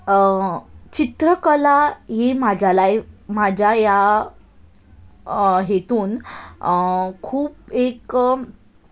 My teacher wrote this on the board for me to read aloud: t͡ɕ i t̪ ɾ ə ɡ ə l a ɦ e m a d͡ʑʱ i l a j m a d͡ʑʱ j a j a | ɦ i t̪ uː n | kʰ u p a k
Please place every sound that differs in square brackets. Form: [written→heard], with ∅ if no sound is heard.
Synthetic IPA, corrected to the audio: t͡ɕ i t̪ ɾ ə [ɡ→k] ə l a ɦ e m a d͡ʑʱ [i→a] l a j m a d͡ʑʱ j a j a | ɦ [i→e] t̪ uː n | kʰ [u→uː] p [a→e] k

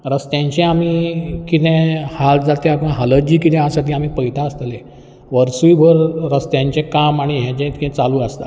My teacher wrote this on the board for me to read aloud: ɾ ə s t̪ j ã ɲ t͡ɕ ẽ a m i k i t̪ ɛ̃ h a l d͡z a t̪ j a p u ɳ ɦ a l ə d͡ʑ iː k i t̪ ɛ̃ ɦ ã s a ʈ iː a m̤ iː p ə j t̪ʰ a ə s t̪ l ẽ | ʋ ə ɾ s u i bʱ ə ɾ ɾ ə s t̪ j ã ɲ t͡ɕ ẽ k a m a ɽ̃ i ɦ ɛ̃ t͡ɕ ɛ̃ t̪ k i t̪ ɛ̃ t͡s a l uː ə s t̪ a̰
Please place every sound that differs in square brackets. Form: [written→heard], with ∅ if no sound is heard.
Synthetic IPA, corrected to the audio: ɾ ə s t̪ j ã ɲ t͡ɕ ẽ a m i k i t̪ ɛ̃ h a l d͡z a t̪ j a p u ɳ ɦ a l ə d͡ʑ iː k i t̪ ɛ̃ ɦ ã s a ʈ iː a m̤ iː p ə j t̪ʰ a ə s t̪ l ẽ | ʋ ə ɾ s u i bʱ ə ɾ ɾ ə s t̪ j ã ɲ t͡ɕ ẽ k a m a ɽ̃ i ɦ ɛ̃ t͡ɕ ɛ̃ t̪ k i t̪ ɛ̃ t͡s a l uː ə s t̪ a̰

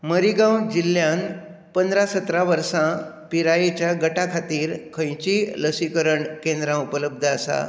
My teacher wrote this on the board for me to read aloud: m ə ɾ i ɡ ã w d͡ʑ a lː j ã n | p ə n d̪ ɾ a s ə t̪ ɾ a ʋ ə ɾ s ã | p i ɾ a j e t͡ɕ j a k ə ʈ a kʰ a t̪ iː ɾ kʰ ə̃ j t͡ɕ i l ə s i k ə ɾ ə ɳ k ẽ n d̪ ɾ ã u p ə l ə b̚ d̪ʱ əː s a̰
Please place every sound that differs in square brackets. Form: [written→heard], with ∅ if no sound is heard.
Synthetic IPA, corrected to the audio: m ə ɾ i ɡ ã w d͡ʑ [a→i] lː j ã n | p ə n d̪ ɾ a s ə t̪ ɾ a ʋ ə ɾ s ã | p i ɾ a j e t͡ɕ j a [k→ɡ] ə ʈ a kʰ a t̪ iː ɾ kʰ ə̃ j t͡ɕ i l ə s i k ə ɾ ə ɳ k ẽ n d̪ ɾ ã u p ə l ə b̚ d̪ʱ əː s a̰

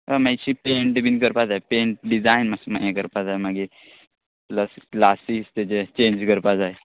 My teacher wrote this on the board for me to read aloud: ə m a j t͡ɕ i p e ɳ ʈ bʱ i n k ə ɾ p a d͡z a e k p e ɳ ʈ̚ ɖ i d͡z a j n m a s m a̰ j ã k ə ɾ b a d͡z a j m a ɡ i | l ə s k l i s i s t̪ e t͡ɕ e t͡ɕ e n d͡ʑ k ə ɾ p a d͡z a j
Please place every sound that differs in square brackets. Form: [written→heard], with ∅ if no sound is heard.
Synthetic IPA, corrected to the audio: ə m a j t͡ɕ i p e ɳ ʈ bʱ i n k ə ɾ p a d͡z a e [k→∅] p e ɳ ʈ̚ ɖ i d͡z a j n m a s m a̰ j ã k ə ɾ [b→p] a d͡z a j m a ɡ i | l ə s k l [i→a] s i s t̪ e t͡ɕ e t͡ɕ e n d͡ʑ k ə ɾ p a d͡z a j

